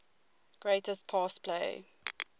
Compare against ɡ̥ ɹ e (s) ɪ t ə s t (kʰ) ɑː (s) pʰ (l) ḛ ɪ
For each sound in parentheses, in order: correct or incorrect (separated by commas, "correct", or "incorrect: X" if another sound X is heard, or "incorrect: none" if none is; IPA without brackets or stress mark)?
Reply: incorrect: none, incorrect: pʰ, correct, correct